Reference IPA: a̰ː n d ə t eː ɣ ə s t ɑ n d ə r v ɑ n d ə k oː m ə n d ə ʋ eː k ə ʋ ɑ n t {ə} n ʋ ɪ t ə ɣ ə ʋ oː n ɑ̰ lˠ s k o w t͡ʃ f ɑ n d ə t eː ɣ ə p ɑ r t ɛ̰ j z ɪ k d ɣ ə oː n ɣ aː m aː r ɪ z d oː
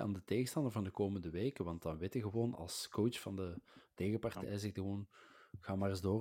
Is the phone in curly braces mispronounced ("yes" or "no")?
yes